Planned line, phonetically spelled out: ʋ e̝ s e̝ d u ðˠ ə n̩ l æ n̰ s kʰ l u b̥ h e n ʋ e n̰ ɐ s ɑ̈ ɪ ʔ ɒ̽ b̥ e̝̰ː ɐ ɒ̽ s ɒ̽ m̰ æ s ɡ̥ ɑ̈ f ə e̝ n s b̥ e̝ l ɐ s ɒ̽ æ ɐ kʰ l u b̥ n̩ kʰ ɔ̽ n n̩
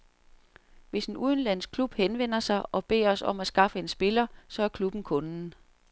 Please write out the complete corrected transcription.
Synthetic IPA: ʋ e̝ s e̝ n u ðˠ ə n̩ l æ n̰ s kʰ l u b̥ h e n ʋ e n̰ ɐ s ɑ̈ ɪ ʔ ɒ̽ b̥ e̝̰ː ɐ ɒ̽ s ɒ̽ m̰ æ s ɡ̥ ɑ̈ f ə e̝ n s b̥ e̝ l ɐ s ɒ̽ æ ɐ kʰ l u b̥ n̩ kʰ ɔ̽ n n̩

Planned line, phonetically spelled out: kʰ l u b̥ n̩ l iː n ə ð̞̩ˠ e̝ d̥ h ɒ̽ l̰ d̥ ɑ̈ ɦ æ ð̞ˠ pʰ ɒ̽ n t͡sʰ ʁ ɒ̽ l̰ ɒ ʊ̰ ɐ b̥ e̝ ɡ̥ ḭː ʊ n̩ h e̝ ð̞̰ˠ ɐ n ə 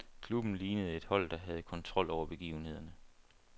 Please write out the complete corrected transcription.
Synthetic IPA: kʰ l u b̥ n̩ l iː n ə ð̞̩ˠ e̝ d̥ h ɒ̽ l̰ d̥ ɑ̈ ɦ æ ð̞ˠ kʰ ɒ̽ n t͡sʰ ʁ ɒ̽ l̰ ɒ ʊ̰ ɐ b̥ e̝ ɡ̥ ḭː ʊ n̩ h e̝ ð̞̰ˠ ɐ n ə

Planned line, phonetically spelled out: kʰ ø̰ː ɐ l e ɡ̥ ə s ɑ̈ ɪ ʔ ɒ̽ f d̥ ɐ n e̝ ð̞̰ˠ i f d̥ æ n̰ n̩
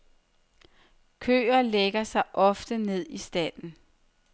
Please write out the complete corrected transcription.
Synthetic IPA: kʰ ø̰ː ɐ l e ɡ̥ ɐ s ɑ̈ ɪ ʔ ɒ̽ f d̥ ə n e̝ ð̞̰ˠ i s d̥ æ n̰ n̩

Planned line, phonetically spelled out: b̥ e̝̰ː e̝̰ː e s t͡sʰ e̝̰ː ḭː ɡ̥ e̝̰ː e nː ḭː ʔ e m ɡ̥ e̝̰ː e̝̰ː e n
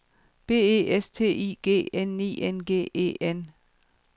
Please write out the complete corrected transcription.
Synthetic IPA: b̥ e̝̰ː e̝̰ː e s t͡sʰ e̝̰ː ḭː ɡ̥ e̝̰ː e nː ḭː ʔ e n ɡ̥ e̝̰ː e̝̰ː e n

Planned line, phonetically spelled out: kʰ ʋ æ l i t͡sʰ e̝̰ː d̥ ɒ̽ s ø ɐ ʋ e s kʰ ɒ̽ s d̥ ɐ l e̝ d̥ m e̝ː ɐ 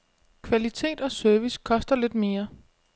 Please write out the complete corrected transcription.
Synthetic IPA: kʰ ʋ æ l i t͡sʰ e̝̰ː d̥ ɒ̽ s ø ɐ ʋ i s kʰ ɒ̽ s d̥ ɐ l e̝ d̥ m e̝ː ɐ

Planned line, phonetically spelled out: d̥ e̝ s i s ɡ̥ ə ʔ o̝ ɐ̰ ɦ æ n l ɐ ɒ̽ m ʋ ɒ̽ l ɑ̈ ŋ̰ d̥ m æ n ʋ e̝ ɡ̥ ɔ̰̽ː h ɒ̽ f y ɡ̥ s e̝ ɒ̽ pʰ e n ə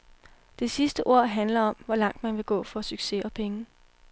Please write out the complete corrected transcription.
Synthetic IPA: d̥ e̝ s i s d̥ ə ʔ o̝ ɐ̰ ɦ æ n l ɐ ɒ̽ m ʋ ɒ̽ l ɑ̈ ŋ̰ d̥ m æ n ʋ e̝ ɡ̥ ɔ̰̽ː f ɒ̽ s y ɡ̥ s e̝ ɒ̽ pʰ e ŋ ə

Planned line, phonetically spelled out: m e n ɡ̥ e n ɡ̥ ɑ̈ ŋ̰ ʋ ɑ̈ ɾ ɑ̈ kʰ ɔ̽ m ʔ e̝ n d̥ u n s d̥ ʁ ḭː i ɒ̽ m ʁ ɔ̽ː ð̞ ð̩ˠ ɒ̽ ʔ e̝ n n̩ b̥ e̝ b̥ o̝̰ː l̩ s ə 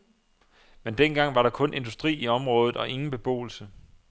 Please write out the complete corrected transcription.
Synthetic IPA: m e n d̥ e n ɡ̥ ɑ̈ ŋ̰ ʋ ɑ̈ ɾ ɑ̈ kʰ ɔ̽ n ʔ e̝ n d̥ u s d̥ ʁ ḭː i ɒ̽ m ʁ ɔ̽ː ð̞ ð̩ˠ ɒ̽ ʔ e̝ ŋ n̩ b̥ e̝ b̥ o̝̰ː l̩ s ə

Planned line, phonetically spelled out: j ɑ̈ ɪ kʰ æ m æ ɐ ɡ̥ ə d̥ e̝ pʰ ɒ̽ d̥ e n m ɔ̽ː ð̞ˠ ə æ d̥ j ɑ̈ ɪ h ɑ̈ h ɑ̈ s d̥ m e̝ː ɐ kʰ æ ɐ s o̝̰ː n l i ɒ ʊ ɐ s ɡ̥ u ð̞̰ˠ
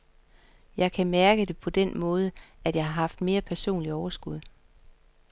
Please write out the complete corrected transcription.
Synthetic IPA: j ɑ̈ ɪ kʰ æ m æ ɐ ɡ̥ ə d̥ e̝ pʰ ɒ̽ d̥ e n m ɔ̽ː ð̞ˠ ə æ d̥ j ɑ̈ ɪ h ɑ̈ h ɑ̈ f d̥ m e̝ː ɐ pʰ æ ɐ s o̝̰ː n l i ɒ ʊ ɐ s ɡ̥ u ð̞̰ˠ

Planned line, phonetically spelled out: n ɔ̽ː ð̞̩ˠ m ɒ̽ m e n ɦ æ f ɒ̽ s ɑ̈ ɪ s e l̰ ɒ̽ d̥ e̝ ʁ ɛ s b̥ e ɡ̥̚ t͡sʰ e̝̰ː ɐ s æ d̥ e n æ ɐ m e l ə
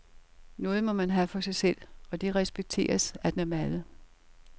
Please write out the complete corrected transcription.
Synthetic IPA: n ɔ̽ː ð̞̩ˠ m ɒ̽ m æ n ɦ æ f ɒ̽ s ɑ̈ ɪ s e l̰ ɒ̽ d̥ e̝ ʁ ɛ s b̥ e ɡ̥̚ t͡sʰ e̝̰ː ɐ s æ d̥ e n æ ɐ m æ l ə

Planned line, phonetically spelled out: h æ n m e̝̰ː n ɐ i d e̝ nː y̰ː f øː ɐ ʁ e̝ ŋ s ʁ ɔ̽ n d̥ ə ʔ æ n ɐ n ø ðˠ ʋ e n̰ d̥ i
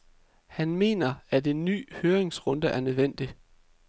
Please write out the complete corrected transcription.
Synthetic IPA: h æ n m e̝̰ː n ɐ æ d e̝ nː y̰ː h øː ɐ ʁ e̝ ŋ s ʁ ɔ̽ n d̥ ə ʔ æ ɐ n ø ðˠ ʋ e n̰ d̥ i

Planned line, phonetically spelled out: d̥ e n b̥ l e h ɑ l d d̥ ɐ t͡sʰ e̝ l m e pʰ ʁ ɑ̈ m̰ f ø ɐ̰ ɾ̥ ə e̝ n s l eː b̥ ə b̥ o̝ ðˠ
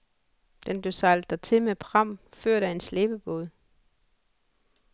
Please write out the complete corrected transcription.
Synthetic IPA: d̥ e n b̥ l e s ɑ l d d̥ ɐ t͡sʰ e̝ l m e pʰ ʁ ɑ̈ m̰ f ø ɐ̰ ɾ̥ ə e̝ n s l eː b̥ ə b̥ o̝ ðˠ

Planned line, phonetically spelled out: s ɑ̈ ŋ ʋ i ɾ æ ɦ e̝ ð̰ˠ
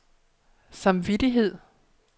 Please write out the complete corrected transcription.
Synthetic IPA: s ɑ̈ m ʋ i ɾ i ɦ e̝ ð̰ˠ

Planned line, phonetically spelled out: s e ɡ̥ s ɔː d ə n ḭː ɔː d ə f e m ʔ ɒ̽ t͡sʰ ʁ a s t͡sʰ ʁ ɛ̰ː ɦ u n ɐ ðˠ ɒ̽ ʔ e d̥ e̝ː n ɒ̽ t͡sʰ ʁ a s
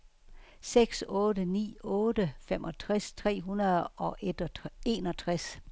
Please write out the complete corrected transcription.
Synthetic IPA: s e ɡ̥ s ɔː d ə n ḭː ɔː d ə f e m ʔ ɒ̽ t͡sʰ ʁ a s t͡sʰ ʁ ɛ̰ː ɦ u n ɐ ðˠ ɒ̽ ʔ e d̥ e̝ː n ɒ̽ t͡sʰ ʁ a s

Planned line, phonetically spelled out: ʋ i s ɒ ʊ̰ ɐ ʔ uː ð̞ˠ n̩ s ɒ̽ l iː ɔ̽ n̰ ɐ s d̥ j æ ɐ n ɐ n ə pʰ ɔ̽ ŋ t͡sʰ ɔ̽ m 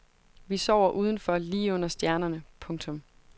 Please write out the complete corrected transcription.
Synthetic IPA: ʋ i s ɒ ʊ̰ ɐ ʔ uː ð̞ˠ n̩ f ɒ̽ l iː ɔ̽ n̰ ɐ s d̥ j æ ɐ n ɐ n ə pʰ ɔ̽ ŋ t͡sʰ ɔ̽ m

